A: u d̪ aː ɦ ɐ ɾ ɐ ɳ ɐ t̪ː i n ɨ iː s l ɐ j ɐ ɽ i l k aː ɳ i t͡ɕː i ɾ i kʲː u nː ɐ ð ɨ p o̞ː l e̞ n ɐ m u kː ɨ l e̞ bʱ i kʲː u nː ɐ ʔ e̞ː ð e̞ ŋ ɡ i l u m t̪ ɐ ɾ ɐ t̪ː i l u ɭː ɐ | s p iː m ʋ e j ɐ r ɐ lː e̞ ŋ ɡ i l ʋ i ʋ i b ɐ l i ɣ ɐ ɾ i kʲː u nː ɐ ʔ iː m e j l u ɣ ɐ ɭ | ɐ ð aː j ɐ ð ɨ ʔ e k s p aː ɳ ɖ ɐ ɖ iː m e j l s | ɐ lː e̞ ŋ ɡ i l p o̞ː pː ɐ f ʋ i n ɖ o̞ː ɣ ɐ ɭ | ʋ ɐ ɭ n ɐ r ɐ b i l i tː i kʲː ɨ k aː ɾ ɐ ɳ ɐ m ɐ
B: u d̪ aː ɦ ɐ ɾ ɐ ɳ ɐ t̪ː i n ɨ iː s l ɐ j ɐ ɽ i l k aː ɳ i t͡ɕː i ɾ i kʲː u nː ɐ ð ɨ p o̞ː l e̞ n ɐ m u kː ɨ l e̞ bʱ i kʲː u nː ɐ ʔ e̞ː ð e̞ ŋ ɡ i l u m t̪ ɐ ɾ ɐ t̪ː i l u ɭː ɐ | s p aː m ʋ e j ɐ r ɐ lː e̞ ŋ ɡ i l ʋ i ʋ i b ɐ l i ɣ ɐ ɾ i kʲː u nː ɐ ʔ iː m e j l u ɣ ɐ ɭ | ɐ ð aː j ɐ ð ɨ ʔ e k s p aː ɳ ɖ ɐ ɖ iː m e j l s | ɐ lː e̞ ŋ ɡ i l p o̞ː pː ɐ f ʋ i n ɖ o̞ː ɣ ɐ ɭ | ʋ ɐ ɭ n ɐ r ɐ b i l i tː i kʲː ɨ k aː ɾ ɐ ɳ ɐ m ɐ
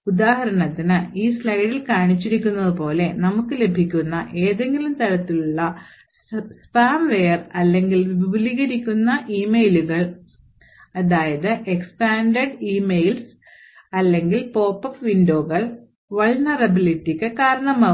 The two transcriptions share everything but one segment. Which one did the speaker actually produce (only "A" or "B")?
B